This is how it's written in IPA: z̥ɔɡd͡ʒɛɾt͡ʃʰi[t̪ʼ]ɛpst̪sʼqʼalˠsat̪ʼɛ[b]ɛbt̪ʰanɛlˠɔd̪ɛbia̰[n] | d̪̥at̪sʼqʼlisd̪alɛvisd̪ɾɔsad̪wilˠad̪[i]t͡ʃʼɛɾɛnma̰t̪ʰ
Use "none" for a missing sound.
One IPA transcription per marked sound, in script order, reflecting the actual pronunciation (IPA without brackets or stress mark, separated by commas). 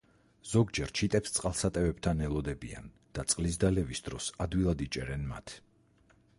t̪ʼ, v, n, i